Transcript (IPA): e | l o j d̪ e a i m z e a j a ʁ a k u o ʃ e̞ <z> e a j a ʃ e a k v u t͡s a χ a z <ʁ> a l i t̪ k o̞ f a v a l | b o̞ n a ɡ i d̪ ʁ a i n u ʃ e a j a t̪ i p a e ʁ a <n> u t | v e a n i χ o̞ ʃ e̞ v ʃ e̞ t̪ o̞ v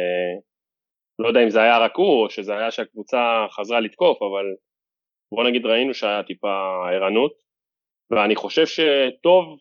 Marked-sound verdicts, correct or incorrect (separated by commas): correct, correct, correct